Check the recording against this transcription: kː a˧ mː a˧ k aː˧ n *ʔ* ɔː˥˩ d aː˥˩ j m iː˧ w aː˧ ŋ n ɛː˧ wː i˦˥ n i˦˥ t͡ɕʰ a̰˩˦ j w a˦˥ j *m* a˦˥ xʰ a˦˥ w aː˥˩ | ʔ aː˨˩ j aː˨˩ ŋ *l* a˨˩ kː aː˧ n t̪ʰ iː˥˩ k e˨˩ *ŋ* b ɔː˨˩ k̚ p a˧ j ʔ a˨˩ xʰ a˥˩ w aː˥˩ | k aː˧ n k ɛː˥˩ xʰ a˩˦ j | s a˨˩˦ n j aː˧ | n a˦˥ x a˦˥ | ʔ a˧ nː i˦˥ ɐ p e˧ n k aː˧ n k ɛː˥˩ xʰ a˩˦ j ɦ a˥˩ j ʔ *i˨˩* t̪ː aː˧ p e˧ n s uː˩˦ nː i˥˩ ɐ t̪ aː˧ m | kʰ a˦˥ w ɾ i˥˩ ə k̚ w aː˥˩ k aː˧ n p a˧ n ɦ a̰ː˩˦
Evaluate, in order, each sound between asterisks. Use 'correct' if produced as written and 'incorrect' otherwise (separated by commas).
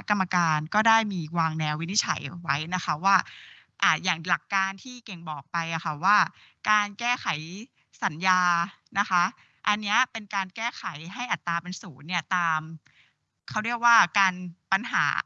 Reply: incorrect, incorrect, correct, correct, incorrect